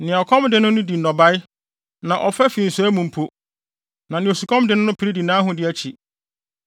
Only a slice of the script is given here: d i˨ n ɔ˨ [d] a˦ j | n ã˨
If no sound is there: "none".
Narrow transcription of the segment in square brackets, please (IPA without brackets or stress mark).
b